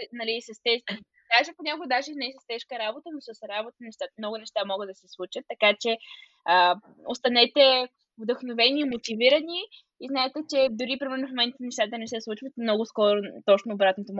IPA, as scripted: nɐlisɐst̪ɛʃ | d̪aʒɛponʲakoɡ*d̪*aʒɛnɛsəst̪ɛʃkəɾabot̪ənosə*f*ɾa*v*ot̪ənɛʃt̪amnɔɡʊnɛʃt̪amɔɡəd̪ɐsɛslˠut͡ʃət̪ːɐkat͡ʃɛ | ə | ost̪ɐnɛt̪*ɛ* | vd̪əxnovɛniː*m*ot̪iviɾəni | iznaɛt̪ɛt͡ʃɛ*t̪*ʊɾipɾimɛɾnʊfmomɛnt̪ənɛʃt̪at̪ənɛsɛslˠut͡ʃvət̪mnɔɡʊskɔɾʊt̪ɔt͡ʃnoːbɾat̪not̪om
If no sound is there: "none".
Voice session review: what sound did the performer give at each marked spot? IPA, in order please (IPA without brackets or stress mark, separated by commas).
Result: d̪, s, b, ɛ, m, d̪